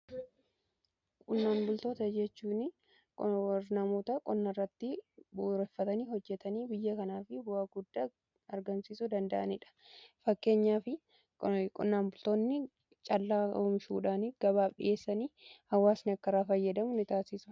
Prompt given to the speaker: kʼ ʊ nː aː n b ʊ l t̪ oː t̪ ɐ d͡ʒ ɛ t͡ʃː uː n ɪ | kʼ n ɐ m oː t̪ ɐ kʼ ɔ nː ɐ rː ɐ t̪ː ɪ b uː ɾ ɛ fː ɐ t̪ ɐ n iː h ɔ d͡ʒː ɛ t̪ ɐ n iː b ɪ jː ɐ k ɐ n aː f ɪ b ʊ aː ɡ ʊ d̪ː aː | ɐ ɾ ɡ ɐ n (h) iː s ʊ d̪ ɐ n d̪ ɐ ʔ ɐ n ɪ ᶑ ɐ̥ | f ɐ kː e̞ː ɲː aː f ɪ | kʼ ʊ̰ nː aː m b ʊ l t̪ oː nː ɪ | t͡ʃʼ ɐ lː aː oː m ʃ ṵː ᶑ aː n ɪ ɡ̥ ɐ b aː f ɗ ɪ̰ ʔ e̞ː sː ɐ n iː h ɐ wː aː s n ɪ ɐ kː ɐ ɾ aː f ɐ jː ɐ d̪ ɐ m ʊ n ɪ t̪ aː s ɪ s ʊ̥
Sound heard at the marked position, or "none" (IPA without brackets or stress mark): s